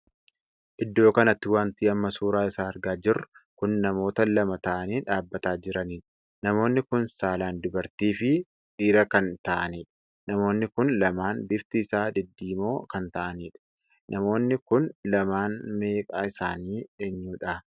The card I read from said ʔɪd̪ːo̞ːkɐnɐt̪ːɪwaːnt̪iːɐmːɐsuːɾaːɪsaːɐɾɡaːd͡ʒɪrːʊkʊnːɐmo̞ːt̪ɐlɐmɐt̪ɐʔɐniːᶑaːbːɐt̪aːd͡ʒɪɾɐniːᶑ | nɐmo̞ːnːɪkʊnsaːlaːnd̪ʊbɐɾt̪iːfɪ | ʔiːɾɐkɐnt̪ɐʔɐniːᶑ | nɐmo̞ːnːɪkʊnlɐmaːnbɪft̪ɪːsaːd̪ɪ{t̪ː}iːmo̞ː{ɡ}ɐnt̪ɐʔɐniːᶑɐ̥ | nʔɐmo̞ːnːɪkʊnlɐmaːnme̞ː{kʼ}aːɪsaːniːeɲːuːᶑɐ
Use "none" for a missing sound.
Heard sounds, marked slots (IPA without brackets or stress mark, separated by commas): d̪ː, k, kʼ